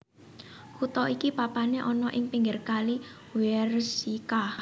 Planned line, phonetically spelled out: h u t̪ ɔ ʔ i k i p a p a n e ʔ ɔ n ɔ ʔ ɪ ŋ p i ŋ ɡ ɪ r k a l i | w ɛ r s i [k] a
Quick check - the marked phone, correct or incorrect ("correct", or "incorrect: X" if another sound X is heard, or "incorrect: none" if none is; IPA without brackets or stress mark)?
correct